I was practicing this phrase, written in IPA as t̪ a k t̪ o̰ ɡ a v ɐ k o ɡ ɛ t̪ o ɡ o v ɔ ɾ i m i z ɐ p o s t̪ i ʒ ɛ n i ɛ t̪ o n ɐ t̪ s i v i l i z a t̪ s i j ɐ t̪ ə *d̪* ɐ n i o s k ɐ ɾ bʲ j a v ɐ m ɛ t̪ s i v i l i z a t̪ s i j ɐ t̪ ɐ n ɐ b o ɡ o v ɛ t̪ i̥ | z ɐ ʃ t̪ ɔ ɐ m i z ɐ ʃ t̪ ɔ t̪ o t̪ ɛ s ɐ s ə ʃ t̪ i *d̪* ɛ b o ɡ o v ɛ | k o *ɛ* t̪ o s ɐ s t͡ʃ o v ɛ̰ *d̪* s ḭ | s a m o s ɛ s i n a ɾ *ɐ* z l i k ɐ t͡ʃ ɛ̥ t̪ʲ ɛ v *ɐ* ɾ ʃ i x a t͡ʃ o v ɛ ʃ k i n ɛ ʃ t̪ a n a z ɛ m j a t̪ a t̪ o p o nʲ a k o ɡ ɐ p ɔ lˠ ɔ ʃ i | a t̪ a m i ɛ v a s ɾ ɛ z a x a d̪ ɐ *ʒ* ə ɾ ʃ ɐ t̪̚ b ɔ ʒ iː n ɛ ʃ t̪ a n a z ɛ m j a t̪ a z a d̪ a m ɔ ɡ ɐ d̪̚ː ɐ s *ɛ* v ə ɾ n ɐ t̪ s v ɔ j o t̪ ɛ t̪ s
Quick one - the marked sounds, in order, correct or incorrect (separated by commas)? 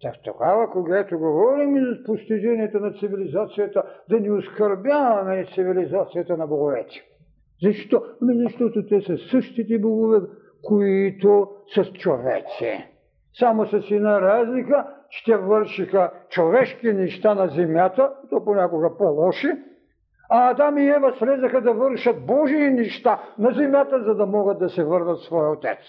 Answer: correct, incorrect, incorrect, incorrect, incorrect, incorrect, incorrect, correct